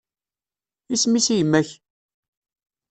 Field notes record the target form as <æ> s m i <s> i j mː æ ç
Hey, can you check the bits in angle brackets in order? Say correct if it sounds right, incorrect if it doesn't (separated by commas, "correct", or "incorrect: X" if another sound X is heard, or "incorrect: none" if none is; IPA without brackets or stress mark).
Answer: incorrect: i, correct